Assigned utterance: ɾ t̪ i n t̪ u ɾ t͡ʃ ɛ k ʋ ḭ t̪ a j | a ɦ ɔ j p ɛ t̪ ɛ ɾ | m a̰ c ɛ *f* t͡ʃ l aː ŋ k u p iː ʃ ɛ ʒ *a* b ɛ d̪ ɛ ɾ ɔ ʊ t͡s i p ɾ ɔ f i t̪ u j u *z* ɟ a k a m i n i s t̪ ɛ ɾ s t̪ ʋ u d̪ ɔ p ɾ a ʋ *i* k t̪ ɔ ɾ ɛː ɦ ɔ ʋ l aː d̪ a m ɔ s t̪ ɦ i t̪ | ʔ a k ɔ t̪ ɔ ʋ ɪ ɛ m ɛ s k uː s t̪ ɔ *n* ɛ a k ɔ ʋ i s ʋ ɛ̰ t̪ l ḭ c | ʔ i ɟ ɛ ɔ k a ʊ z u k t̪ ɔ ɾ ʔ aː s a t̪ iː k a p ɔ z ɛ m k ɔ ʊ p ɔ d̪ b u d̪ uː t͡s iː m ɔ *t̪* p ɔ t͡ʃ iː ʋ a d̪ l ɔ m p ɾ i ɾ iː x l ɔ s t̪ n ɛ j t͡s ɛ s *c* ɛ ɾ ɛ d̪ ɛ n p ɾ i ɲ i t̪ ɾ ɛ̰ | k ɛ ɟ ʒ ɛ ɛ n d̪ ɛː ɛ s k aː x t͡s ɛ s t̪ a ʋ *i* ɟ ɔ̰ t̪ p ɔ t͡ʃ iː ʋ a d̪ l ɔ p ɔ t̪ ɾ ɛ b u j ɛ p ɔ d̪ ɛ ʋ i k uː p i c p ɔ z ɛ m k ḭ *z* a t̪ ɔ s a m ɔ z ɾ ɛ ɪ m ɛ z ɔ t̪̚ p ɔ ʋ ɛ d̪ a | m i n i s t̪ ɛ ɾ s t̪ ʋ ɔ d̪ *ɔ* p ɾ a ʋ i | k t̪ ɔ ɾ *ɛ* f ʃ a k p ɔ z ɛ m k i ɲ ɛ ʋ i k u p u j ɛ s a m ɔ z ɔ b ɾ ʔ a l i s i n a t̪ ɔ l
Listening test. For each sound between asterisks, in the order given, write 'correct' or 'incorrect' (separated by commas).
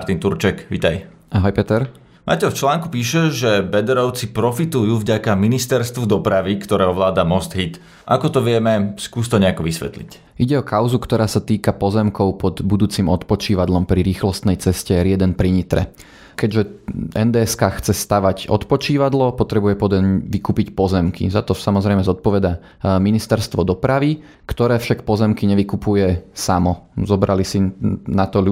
correct, incorrect, incorrect, correct, incorrect, correct, correct, incorrect, correct, correct, incorrect